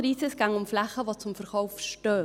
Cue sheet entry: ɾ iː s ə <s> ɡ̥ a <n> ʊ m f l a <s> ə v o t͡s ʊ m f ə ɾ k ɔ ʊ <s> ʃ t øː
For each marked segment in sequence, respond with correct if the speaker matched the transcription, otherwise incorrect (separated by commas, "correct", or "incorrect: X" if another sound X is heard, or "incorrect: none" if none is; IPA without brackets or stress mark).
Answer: correct, incorrect: ŋ, incorrect: χ, incorrect: f